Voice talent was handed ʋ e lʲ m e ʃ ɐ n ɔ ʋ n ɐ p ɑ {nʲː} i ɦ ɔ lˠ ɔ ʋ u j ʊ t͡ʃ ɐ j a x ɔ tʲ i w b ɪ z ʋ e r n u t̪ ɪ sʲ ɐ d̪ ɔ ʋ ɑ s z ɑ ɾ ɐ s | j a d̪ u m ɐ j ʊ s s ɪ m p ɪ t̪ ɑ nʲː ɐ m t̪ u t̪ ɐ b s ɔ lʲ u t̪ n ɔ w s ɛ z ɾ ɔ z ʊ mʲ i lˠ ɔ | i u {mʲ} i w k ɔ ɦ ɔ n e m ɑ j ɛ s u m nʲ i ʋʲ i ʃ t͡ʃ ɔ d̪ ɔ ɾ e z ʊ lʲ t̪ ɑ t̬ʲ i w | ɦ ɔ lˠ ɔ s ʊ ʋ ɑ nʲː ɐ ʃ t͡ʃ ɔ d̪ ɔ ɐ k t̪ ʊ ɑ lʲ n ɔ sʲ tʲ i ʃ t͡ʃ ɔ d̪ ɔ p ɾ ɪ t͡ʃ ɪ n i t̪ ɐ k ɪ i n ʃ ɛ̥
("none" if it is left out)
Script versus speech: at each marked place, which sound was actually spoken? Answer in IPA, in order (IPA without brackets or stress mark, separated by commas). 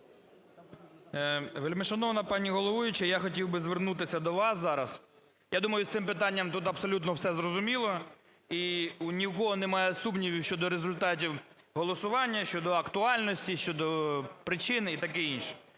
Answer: nʲ, nʲ